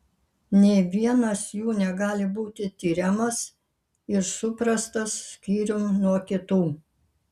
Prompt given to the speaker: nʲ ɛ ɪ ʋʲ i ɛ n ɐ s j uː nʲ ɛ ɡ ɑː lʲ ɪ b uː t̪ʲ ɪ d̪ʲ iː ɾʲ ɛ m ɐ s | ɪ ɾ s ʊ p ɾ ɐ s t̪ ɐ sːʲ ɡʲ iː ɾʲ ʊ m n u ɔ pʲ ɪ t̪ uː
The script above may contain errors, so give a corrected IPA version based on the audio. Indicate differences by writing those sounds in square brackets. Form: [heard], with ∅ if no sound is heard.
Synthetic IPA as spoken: nʲ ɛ ɪ ʋʲ i ɛ n ɐ s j uː nʲ ɛ ɡ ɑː lʲ ɪ b uː t̪ʲ ɪ [t̪ʲ] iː ɾʲ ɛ m ɐ s | ɪ ɾ s ʊ p ɾ ɐ s t̪ ɐ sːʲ [kʲ] iː ɾʲ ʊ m n u ɔ [kʲ] ɪ t̪ uː